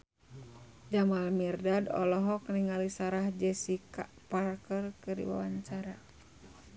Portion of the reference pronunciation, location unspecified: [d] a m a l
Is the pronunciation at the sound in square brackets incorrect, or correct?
incorrect